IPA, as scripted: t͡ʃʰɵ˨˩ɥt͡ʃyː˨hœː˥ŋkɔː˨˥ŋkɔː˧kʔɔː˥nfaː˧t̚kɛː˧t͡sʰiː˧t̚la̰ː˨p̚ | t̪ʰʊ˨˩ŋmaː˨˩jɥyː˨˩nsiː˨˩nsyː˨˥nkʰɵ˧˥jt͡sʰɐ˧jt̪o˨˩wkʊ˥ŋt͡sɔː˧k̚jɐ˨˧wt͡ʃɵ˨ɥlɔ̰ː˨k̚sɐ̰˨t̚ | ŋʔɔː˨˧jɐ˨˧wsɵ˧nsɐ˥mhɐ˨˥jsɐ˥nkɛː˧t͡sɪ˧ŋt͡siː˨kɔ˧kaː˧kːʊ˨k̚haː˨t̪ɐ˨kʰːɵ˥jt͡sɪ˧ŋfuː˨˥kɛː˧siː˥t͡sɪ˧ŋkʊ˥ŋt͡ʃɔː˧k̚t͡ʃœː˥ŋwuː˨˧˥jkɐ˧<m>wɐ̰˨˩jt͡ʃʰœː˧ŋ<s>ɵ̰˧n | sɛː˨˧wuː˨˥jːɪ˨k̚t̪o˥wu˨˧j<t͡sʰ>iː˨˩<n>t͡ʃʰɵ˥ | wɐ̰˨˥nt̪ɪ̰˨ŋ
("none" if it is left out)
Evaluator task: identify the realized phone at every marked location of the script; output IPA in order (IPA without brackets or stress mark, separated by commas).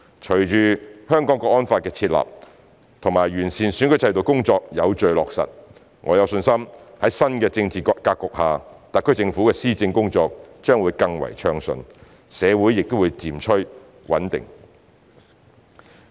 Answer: ŋ, s, t͡s, m